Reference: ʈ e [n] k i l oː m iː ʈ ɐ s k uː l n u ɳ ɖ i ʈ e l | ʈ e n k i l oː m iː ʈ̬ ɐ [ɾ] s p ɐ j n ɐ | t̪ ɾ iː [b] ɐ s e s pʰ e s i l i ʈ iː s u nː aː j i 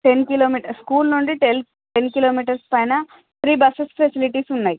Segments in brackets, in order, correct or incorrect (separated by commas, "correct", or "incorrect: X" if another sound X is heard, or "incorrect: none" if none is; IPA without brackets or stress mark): correct, correct, correct